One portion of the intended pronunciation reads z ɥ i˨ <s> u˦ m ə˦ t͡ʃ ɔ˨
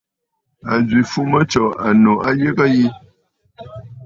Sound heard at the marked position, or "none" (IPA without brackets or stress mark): f